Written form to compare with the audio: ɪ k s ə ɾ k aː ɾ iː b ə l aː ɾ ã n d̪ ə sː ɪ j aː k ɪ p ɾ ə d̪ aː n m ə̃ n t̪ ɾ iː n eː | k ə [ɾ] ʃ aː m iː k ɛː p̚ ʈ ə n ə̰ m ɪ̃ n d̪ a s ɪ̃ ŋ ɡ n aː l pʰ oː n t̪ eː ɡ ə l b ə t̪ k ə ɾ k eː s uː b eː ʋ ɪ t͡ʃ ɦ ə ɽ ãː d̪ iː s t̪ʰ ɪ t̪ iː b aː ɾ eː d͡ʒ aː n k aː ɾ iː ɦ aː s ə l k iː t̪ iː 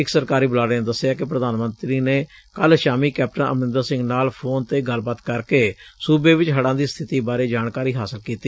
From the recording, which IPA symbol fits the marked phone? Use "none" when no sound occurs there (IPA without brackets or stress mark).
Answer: l